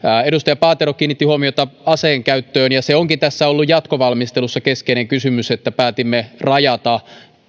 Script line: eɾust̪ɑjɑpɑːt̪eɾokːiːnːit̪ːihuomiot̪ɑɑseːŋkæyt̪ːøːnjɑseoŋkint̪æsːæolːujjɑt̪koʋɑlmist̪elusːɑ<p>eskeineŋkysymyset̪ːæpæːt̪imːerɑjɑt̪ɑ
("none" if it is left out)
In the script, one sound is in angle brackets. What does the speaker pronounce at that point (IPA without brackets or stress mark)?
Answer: k